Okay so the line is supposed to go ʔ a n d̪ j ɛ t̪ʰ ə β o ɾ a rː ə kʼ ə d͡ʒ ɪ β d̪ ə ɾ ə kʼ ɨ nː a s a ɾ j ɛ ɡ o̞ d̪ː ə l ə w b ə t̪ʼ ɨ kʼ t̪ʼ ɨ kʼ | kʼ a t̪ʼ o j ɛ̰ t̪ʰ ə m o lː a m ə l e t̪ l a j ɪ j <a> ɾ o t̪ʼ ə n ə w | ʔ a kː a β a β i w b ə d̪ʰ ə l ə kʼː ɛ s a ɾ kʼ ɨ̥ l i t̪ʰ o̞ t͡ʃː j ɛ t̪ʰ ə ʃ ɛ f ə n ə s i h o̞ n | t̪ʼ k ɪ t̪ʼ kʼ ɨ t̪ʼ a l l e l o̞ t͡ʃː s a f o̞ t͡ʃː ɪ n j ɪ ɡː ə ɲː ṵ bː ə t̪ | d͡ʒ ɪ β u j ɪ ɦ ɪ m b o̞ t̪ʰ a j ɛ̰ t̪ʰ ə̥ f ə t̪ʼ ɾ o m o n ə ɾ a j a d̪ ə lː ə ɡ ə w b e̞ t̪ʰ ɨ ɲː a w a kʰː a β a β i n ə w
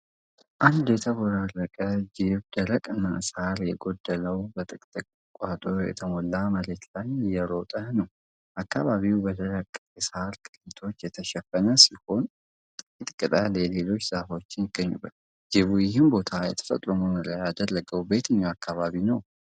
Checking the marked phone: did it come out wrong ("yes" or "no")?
yes